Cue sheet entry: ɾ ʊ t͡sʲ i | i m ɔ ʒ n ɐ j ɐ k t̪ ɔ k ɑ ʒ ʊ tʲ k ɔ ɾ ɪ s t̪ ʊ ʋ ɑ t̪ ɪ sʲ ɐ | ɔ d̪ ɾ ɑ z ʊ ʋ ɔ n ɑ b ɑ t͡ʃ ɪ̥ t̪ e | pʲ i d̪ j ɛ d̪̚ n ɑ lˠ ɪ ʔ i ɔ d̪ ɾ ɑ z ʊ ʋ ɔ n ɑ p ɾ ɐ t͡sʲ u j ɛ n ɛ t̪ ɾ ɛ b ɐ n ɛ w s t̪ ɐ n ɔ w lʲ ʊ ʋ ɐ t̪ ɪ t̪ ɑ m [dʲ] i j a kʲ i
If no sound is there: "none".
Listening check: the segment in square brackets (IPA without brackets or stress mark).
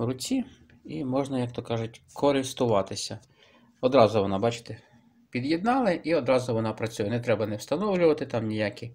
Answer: nʲ